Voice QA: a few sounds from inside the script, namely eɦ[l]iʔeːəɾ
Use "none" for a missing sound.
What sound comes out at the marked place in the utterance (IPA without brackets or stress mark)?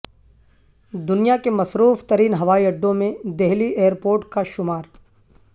l